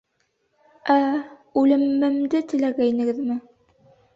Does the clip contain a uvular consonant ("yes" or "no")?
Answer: no